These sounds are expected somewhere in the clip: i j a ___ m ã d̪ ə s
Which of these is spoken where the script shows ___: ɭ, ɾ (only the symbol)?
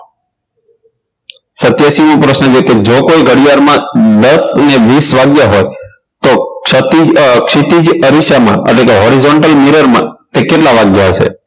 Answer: ɾ